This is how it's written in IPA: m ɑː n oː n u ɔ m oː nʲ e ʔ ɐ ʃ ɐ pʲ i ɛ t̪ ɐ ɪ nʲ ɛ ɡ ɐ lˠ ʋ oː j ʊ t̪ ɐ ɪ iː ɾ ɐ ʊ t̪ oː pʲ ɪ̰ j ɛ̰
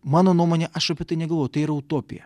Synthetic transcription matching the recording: m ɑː n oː n u ɔ m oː nʲ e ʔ ɐ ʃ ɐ pʲ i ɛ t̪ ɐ ɪ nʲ ɛ ɡ ɐ lˠ ʋ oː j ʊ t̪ ɐ ɪ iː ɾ ɐ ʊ t̪ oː pʲ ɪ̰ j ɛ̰